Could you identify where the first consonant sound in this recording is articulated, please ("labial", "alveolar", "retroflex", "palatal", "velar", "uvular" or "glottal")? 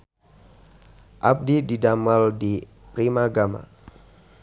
glottal